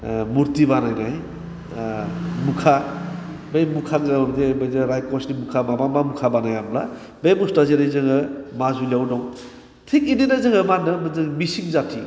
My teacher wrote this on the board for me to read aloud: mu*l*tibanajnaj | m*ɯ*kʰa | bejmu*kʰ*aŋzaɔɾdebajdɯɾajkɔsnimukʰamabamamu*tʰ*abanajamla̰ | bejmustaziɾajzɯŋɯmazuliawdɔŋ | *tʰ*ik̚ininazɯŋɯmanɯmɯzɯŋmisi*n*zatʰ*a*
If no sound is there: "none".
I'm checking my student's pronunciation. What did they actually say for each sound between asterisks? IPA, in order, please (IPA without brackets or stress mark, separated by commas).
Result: ɾ, u, kʰ, kʰ, tʰ, ŋ, i